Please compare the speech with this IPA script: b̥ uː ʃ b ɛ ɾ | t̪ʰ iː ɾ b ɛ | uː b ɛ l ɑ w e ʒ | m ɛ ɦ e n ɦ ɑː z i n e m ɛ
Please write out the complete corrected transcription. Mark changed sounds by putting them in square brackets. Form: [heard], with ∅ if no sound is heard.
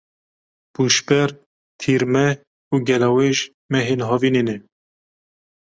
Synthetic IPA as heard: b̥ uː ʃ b ɛ ɾ | t̪ʰ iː ɾ [m] ɛ | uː [ɡ] ɛ l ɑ w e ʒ | m ɛ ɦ e n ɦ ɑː [v] i n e [n] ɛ

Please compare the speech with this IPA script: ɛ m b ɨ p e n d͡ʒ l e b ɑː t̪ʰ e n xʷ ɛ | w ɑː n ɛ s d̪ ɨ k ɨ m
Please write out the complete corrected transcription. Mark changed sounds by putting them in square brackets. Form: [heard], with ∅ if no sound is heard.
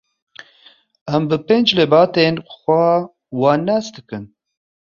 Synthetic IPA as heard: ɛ m b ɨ p e n d͡ʒ l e b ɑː [t̪] e n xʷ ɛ | w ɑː n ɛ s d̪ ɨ k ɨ [n]

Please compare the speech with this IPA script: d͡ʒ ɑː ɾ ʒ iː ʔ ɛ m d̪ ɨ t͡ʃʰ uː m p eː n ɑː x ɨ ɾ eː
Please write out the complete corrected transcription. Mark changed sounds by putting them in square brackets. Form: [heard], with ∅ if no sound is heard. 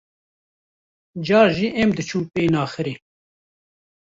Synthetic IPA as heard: d͡ʒ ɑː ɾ ʒ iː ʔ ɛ m d̪ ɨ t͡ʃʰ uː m p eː n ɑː x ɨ ɾ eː

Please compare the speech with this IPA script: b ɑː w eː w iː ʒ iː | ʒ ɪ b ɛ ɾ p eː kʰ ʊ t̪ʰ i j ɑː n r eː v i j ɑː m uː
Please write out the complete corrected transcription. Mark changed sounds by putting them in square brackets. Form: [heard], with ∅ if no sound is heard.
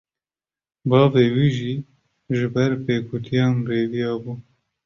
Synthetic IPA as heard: b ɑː [v] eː w iː ʒ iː | ʒ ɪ b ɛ ɾ p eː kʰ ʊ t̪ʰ i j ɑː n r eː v i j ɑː [b] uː

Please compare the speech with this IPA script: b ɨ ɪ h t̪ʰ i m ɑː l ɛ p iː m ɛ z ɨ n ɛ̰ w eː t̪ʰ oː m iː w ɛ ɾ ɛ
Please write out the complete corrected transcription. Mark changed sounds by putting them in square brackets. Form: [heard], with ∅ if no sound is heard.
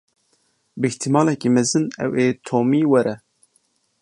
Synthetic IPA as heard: b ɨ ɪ h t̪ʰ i m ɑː l ɛ [k] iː m ɛ z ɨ n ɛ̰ w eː t̪ʰ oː m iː w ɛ ɾ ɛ

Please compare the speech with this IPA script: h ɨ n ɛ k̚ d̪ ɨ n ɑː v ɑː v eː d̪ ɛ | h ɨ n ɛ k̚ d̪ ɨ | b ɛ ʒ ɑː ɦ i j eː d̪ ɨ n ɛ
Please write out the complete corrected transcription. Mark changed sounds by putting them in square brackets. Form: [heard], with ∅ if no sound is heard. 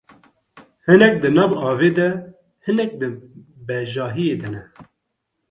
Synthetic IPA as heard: h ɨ n ɛ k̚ d̪ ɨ n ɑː v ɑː v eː d̪ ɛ | h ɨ n ɛ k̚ d̪ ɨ | b ɛ ʒ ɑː ɦ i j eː d̪ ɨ n ɛ

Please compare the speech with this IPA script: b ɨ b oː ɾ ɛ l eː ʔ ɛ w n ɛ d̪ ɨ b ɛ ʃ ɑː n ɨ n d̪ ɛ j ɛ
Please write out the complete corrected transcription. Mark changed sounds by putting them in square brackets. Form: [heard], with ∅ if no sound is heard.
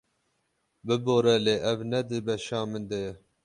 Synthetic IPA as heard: b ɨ b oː ɾ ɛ l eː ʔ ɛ [v] n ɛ d̪ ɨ b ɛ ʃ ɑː [m] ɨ n d̪ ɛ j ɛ

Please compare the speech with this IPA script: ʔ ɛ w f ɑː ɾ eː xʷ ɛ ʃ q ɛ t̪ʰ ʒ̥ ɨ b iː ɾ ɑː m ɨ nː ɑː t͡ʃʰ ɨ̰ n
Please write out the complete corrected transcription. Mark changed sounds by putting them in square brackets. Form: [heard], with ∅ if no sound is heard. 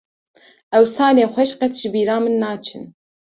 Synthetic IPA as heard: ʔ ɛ w [s] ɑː [l] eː xʷ ɛ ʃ q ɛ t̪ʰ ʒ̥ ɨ b iː ɾ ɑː m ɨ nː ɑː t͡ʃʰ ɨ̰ n

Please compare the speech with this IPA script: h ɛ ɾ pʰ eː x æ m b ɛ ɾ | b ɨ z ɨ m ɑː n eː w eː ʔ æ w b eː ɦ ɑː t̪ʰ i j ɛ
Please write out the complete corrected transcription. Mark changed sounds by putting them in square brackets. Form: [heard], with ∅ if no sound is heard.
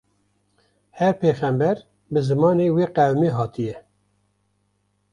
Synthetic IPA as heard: h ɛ ɾ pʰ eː x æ m b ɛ ɾ | b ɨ z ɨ m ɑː n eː w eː [q] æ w [m] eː ɦ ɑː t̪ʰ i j ɛ

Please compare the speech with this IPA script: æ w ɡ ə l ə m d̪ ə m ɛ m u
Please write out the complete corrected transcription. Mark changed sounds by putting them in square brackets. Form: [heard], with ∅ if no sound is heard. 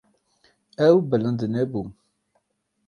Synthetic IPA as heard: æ w [b] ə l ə [n] d̪ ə [n] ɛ [b] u

